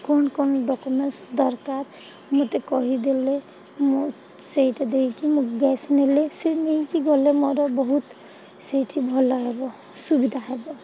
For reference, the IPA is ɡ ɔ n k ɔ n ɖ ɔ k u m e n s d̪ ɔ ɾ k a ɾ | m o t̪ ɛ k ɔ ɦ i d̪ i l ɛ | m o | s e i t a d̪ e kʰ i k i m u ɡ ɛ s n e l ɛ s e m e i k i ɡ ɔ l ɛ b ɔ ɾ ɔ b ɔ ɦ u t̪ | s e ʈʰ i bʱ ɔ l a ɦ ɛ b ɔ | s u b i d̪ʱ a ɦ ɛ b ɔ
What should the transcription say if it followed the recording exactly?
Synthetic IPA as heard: k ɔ n k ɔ n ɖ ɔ k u m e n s d̪ ɔ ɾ k a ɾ | m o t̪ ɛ k ɔ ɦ i d̪ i l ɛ | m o | s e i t a d̪ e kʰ i k i m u ɡ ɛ s n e l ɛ s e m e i k i ɡ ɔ l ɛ m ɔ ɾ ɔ b ɔ ɦ u t̪ | s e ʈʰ i bʱ ɔ l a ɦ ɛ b ɔ | s u b i d̪ʱ a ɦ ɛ b ɔ

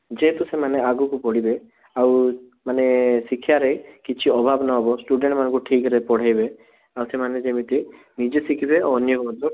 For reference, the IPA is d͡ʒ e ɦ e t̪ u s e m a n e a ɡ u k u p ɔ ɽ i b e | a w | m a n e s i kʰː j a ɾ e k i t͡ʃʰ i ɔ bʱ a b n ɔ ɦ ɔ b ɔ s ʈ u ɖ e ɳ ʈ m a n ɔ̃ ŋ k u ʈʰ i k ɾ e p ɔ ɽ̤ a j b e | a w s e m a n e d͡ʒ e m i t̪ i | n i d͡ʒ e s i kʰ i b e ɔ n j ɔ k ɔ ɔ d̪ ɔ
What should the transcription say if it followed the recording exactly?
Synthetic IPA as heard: d͡ʒ e ɦ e t̪ u s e m a n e a ɡ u k u p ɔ ɽ i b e | a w | m a n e s i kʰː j a ɾ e k i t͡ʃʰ i ɔ bʱ a b n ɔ ɦ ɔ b ɔ s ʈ u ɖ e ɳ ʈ m a n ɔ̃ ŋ k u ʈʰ i k ɾ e p ɔ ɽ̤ a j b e | a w s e m a n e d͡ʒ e m i t̪ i | n i d͡ʒ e s i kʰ i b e ɔ n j ɔ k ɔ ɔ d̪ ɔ

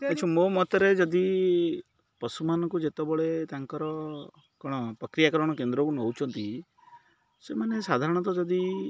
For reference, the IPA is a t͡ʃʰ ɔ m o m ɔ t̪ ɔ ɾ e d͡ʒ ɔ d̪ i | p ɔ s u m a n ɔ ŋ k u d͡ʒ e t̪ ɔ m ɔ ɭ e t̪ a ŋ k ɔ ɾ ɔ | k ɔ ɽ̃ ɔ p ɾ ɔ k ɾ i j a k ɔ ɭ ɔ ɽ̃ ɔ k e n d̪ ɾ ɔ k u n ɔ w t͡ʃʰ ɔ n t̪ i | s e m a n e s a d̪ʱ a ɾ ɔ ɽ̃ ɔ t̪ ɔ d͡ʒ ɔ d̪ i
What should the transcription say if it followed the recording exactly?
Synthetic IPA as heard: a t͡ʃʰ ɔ m o m ɔ t̪ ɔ ɾ e d͡ʒ ɔ d̪ i | p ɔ s u m a n ɔ ŋ k u d͡ʒ e t̪ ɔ b ɔ ɭ e t̪ a ŋ k ɔ ɾ ɔ | k ɔ ɽ̃ ɔ p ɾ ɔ k ɾ i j a k ɔ ɾ ɔ ɽ̃ ɔ k e n d̪ ɾ ɔ k u n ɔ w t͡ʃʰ ɔ n t̪ i | s e m a n e s a d̪ʱ a ɾ ɔ ɽ̃ ɔ t̪ ɔ d͡ʒ ɔ d̪ i

